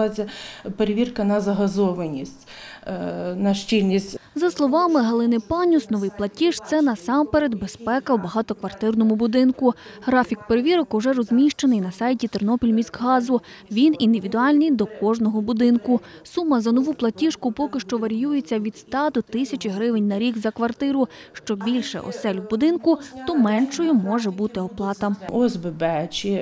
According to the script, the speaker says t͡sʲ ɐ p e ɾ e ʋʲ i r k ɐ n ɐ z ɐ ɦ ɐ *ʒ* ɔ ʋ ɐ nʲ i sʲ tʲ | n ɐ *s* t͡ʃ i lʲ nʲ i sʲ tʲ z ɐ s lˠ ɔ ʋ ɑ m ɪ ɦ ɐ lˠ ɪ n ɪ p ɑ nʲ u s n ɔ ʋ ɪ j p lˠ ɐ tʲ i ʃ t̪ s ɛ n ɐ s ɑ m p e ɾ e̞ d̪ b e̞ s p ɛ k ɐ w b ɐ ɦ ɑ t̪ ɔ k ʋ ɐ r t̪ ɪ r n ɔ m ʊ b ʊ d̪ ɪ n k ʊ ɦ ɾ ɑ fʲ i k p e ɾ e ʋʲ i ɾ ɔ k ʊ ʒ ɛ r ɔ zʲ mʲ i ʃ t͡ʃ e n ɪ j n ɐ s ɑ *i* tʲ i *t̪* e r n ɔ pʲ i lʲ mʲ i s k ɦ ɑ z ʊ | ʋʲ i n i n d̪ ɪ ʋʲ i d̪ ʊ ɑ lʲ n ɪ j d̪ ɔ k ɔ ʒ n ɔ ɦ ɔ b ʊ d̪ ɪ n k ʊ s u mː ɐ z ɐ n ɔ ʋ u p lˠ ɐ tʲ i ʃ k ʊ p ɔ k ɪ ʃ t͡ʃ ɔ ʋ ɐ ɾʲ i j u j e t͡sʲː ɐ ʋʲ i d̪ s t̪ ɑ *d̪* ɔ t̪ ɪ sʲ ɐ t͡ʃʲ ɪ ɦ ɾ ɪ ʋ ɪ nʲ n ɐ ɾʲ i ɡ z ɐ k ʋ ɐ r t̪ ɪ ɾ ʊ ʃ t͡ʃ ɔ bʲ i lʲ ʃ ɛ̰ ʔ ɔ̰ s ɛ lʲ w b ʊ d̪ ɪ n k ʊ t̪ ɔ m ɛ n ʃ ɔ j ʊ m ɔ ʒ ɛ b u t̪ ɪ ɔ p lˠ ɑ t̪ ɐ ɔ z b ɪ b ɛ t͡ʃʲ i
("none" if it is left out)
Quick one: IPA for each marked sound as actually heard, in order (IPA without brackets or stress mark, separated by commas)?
z, ʃ, j, t̪, d̪